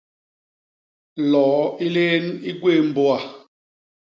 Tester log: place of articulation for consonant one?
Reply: alveolar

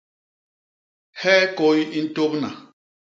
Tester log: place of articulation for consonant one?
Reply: glottal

